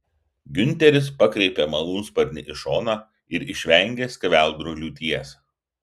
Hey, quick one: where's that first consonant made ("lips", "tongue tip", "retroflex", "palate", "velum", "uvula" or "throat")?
velum